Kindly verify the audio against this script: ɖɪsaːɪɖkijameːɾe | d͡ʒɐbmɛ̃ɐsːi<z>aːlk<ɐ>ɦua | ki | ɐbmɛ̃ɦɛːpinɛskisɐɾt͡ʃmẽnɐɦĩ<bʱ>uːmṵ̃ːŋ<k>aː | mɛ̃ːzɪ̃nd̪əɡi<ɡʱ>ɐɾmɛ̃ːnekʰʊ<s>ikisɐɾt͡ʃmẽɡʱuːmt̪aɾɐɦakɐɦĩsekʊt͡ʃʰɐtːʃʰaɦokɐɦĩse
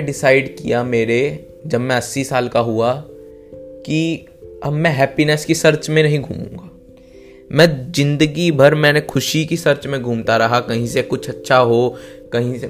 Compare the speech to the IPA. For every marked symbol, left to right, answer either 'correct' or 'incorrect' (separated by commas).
incorrect, incorrect, incorrect, incorrect, incorrect, incorrect